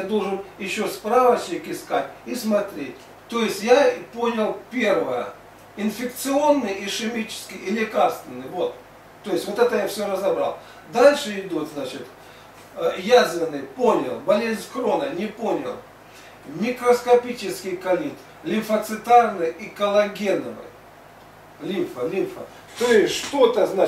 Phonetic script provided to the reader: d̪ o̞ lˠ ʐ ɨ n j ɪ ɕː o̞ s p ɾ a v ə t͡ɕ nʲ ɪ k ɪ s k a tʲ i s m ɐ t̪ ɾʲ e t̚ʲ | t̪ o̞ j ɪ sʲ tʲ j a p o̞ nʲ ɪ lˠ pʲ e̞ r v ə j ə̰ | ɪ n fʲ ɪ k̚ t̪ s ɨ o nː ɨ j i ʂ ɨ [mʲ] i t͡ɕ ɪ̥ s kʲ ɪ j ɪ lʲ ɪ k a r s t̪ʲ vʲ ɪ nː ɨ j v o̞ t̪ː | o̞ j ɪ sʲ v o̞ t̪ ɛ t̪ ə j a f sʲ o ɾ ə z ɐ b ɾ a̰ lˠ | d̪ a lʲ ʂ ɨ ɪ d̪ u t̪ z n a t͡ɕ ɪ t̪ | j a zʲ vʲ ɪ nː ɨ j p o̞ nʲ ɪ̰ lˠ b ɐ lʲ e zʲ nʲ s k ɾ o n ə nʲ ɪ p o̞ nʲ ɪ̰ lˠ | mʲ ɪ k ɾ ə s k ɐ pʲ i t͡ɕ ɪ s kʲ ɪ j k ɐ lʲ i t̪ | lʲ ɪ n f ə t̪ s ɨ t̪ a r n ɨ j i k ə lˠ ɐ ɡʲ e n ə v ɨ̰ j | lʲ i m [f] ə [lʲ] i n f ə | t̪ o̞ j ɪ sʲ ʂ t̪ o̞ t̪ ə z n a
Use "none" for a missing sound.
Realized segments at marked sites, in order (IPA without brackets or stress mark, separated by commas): mʲ, f, lʲ